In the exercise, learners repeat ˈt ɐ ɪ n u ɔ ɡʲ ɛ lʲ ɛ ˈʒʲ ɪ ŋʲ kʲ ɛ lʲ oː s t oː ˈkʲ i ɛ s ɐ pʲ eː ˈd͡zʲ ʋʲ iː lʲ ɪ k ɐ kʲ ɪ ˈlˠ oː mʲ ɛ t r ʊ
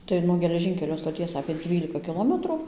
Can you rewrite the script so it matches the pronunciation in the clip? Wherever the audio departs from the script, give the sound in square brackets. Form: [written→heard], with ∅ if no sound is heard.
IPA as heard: ˈt ɐ ɪ n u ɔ ɡʲ ɛ lʲ ɛ ˈʒʲ ɪ ŋʲ kʲ ɛ lʲ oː s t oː [ˈkʲ→ˈtʲ] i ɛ s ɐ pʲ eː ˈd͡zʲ ʋʲ iː lʲ ɪ k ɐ kʲ ɪ ˈlˠ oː mʲ ɛ t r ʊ